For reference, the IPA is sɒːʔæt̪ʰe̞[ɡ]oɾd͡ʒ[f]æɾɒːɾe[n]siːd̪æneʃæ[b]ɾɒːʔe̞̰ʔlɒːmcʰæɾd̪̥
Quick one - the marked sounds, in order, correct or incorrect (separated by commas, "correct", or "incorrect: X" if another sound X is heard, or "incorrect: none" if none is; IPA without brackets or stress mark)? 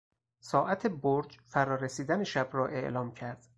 incorrect: b, correct, incorrect: none, correct